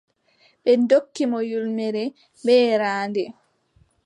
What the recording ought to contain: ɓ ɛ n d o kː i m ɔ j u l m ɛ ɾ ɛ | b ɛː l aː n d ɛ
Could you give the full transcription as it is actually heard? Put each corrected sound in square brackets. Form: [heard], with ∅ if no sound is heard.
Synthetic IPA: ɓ ɛ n d o kː i m ɔ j u l m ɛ ɾ ɛ | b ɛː [ɾ] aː n d ɛ